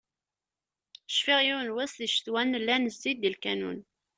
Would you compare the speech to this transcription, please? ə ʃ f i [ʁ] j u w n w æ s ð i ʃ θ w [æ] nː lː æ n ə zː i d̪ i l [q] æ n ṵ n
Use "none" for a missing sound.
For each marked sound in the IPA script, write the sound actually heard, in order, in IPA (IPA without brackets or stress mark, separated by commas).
ʁ, æ, k